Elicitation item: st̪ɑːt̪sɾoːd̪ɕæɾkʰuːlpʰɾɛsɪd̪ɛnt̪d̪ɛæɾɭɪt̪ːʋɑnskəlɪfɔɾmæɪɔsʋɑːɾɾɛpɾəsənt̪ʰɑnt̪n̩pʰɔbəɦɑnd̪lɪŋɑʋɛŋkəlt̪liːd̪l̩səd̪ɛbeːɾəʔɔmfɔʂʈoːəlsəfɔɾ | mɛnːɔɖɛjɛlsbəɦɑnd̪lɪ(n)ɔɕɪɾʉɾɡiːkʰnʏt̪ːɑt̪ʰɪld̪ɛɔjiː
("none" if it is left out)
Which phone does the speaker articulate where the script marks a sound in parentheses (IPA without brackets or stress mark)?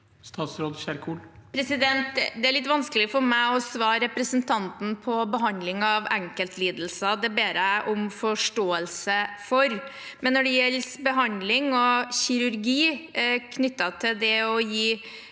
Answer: ŋ